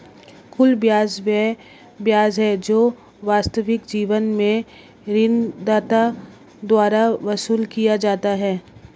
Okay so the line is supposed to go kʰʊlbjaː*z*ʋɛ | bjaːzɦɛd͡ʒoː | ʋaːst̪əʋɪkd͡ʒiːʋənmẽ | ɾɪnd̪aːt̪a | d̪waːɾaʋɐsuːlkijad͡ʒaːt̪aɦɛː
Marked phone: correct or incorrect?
correct